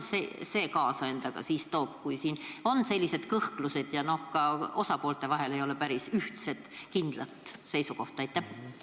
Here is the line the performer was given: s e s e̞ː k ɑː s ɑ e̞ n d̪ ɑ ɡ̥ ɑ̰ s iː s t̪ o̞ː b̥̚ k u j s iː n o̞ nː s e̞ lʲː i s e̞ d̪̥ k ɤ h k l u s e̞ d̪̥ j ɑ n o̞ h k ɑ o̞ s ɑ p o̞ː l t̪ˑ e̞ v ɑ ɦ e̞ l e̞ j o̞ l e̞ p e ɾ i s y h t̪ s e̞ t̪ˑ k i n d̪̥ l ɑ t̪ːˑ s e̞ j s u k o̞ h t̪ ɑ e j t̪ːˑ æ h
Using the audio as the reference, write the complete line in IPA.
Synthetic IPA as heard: s e s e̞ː k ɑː s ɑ e̞ n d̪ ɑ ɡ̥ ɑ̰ s iː s t̪ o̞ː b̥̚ k u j s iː n o̞ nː s e̞ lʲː i s e̞ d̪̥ k ɤ h k l u s e̞ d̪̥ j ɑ n o̞ h k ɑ o̞ s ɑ p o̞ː l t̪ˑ e̞ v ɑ ɦ e̞ l e̞ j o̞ l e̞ p æ ɾ i s y h t̪ s e̞ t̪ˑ k i n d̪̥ l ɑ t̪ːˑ s e̞ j s u k o̞ h t̪ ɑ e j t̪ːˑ æ h

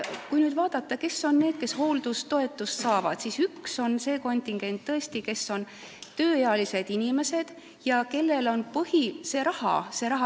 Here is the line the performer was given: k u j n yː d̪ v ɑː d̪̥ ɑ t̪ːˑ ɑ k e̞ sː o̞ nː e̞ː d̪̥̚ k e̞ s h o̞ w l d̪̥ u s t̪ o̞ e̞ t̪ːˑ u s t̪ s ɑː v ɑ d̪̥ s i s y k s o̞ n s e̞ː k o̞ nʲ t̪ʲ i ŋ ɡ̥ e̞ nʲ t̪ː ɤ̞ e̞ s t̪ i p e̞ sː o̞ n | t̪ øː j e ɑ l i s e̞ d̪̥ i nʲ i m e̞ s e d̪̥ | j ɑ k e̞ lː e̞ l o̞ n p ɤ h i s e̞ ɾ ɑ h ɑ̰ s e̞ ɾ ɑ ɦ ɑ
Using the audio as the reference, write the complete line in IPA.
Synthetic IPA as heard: k u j n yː d̪ v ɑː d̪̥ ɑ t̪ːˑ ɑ k e̞ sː o̞ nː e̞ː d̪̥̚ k e̞ s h o̞ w l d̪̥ u s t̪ o̞ e̞ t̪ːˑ u s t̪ s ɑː v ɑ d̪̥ s i s y k s o̞ n s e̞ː k o̞ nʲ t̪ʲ i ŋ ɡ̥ e̞ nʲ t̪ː ɤ̞ e̞ s t̪ i k e̞ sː o̞ n | t̪ øː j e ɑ l i s e̞ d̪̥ i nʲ i m e̞ s e d̪̥ | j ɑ k e̞ lː e̞ l o̞ n p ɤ h i s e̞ ɾ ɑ h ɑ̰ s e̞ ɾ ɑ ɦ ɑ

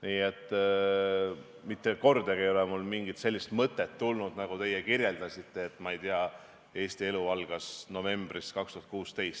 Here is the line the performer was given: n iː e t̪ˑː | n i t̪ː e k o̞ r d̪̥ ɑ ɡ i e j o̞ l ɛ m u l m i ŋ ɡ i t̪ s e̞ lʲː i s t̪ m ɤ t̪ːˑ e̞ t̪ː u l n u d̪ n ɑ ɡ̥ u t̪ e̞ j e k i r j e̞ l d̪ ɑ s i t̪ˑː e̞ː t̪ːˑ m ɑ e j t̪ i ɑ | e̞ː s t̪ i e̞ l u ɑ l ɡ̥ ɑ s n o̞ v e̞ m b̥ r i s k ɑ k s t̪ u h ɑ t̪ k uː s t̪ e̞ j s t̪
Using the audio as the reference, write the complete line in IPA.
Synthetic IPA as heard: n iː e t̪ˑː | m i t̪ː e k o̞ r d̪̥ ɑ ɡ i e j o̞ l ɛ m u l m i ŋ ɡ i t̪ s e̞ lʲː i s t̪ m ɤ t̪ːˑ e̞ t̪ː u l n u d̪ n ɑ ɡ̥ u t̪ e̞ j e k i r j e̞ l d̪ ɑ s i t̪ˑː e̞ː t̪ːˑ m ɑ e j t̪ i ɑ | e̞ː s t̪ i e̞ l u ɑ l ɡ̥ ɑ s n o̞ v e̞ m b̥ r i s k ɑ k s t̪ u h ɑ t̪ k uː s t̪ e̞ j s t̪

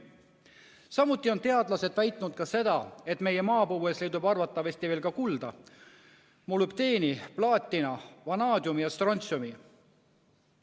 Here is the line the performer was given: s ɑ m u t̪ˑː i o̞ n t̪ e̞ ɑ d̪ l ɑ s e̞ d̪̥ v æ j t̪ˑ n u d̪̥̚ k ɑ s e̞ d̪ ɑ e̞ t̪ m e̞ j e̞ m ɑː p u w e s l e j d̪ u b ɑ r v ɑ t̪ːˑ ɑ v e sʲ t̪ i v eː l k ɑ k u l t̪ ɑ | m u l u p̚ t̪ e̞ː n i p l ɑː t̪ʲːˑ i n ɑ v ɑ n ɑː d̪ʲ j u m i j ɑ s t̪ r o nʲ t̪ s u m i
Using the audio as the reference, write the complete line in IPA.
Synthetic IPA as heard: s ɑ m u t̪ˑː i o̞ n t̪ e̞ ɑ d̪ l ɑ s e̞ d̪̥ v æ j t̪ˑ n u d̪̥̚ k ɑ s e̞ d̪ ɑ e̞ t̪ m e̞ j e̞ m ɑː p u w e s l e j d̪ u b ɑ r v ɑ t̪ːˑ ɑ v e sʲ t̪ i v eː l k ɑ k u l d̪ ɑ | m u l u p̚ t̪ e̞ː n i p l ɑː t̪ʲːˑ i n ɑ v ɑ n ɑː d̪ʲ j u m i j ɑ s t̪ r o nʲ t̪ s u m i

